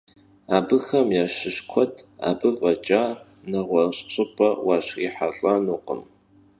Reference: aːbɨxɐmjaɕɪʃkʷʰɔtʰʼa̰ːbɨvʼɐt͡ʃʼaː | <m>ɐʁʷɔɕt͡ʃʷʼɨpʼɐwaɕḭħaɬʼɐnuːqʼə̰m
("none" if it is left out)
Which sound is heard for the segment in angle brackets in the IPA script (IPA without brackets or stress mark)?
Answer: n